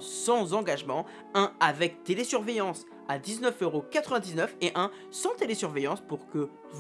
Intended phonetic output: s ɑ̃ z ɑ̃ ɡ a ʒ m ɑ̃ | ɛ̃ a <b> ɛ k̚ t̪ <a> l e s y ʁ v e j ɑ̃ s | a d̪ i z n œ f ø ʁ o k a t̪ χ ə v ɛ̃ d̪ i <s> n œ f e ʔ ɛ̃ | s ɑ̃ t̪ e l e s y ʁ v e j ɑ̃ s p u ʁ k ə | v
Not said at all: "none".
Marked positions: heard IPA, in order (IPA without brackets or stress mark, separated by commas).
v, e, z